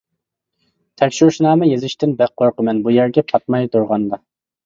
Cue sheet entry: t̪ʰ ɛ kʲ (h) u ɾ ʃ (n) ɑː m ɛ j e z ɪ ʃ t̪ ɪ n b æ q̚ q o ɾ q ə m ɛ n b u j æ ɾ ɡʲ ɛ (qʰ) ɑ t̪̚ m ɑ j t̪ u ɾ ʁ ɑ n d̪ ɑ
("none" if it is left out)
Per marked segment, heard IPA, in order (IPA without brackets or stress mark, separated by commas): ʃ, n, pʰ